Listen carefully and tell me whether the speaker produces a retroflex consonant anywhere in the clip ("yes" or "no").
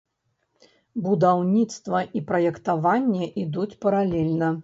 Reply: no